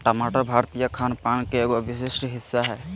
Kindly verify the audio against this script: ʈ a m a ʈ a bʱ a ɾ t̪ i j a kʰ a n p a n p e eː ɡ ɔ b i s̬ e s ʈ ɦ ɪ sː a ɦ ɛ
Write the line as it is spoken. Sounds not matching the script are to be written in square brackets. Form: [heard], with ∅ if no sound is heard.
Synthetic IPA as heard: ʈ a m a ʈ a bʱ a ɾ t̪ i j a kʰ a n p a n [k] e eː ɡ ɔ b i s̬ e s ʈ ɦ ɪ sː a ɦ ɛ